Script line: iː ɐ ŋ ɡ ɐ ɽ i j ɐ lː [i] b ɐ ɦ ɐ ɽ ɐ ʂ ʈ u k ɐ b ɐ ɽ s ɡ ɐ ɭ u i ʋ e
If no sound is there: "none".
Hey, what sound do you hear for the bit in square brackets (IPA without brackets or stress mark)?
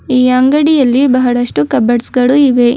i